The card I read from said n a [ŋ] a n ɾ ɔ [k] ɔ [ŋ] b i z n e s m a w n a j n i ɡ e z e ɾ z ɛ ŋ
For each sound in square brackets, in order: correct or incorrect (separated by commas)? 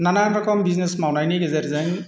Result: incorrect, correct, incorrect